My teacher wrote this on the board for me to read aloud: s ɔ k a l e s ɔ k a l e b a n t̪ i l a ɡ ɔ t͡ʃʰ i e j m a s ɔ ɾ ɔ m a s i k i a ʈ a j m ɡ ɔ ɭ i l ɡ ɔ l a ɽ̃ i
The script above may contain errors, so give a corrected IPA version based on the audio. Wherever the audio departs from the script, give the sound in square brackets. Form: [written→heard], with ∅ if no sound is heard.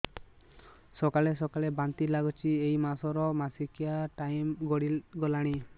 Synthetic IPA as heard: s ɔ k a l e s ɔ k a l e b a n t̪ i l a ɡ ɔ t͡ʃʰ i e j m a s ɔ ɾ ɔ m a s i k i a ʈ a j m ɡ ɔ [ɭ→ɽ] i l ɡ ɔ l a ɽ̃ i